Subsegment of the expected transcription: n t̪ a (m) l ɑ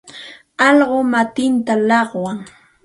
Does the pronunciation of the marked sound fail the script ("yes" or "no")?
yes